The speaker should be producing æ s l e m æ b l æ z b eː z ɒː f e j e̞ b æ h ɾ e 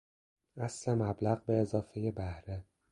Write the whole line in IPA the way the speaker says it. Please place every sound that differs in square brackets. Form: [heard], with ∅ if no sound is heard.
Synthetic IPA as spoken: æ s l e m æ b l æ [ɣ] b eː z ɒː f e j e̞ b æ h ɾ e